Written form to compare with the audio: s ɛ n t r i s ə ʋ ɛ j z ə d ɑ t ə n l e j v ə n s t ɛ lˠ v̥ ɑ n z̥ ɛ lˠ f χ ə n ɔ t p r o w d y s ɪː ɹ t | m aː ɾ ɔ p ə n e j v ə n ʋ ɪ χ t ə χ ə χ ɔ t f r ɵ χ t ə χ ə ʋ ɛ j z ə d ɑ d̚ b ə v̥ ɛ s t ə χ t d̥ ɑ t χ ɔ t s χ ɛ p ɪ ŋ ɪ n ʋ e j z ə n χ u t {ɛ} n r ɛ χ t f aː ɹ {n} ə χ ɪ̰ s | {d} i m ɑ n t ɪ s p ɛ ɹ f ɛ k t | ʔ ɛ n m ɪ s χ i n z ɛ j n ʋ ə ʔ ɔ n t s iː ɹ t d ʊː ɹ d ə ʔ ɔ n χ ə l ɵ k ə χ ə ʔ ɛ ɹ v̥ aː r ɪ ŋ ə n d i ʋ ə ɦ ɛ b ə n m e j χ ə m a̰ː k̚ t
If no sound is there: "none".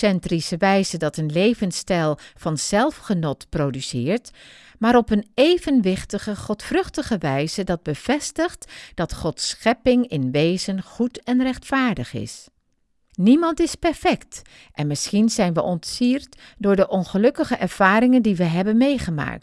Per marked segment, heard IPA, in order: ɛ, d, n

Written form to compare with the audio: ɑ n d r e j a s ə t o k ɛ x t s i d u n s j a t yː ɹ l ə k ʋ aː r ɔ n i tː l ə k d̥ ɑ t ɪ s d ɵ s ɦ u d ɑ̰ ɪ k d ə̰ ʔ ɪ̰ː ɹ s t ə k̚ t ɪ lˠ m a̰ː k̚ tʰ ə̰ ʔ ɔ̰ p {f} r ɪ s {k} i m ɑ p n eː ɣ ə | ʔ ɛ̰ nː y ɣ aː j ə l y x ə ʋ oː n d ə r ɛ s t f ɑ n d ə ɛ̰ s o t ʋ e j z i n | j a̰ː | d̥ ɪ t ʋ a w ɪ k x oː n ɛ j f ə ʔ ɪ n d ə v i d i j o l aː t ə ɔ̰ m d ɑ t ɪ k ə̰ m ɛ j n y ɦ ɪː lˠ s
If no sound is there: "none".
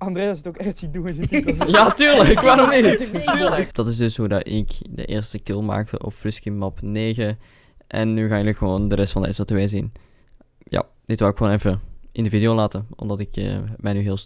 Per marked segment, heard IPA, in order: f, k

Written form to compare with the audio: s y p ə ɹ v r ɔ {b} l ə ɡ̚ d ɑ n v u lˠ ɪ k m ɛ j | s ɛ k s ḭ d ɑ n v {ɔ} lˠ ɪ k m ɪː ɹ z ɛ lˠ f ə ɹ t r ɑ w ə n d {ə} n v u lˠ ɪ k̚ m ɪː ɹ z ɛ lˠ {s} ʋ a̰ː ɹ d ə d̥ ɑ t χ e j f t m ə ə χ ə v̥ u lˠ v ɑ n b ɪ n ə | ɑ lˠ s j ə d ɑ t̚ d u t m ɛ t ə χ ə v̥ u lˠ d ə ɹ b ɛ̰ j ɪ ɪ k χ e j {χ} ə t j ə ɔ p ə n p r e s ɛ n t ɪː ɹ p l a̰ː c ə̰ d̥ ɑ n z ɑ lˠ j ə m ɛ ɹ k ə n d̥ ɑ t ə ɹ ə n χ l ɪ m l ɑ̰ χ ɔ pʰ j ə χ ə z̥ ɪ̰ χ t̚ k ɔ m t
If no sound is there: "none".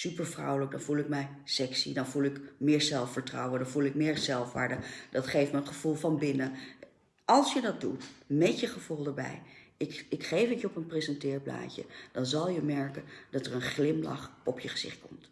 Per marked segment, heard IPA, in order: w, u, ɑ, f, f

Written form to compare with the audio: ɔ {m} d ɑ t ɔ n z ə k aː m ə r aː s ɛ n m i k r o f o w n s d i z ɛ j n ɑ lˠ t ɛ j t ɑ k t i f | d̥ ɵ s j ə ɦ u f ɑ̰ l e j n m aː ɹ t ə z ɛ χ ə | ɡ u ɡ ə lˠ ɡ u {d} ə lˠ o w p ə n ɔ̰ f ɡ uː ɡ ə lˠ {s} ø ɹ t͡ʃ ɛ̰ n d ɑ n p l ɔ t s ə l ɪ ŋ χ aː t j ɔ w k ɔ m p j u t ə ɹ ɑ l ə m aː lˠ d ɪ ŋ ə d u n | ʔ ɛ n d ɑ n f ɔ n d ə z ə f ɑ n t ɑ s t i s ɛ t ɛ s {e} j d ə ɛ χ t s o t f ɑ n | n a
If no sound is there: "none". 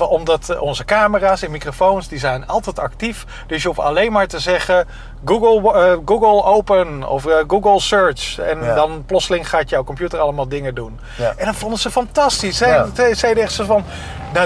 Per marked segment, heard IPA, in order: m, ɡ, s, ɛ

